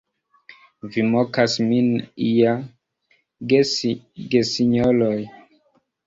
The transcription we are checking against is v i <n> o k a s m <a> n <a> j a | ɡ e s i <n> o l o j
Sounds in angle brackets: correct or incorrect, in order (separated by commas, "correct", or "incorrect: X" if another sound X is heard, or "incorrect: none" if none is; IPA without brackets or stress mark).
incorrect: m, incorrect: i, incorrect: i, incorrect: ɲ